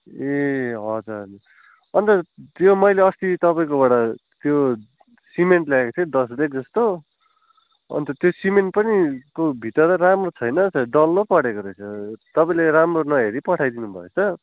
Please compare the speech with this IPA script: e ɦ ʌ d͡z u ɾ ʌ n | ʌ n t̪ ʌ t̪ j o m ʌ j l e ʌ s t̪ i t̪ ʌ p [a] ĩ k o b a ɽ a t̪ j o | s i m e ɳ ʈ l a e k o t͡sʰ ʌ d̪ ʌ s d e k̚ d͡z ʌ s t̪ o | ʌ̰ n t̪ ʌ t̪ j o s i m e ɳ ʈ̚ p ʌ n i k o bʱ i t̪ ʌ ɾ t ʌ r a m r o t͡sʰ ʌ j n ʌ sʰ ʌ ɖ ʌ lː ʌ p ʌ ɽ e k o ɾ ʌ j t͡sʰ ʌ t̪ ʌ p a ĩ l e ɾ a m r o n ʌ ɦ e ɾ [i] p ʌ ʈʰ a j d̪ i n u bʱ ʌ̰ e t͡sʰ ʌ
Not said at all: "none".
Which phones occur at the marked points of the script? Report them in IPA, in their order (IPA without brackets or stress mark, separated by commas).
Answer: a, i